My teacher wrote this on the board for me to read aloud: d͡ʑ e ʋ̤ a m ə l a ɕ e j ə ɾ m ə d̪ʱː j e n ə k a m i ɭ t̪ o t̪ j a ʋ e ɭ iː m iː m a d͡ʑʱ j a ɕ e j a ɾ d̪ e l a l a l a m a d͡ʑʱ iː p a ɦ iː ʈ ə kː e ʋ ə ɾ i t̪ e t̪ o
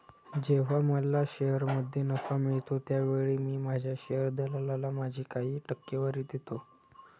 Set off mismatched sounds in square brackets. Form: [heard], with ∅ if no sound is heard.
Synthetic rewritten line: d͡ʑ e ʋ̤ a m ə l a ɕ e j ə ɾ m ə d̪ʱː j e n ə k a m i ɭ t̪ o t̪ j a ʋ e ɭ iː m iː m a d͡ʑʱ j a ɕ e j [ə] ɾ d̪ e l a l a l a m a d͡ʑʱ iː [k] a ɦ iː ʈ ə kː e ʋ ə ɾ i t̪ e t̪ o